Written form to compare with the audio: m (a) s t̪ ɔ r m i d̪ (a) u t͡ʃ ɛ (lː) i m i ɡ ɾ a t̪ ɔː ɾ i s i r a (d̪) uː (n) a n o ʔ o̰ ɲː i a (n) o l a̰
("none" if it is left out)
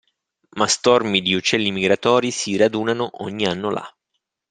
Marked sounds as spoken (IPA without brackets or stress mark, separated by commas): a, i, lː, d̪, n, nː